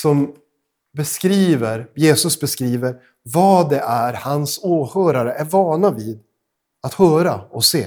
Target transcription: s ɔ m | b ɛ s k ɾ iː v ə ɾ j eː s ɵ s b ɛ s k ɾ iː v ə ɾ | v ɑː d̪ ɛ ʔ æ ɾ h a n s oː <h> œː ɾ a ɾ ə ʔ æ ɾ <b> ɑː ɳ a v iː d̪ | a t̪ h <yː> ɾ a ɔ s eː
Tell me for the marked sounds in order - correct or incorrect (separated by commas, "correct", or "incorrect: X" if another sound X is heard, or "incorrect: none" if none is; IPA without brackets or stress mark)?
correct, incorrect: v, incorrect: œː